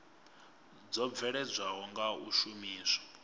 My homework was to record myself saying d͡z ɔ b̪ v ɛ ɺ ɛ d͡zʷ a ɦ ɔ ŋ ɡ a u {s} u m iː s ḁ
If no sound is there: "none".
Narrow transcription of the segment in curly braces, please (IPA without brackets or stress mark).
ʃ